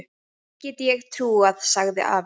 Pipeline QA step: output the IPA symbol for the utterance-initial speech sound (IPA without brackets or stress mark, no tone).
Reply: c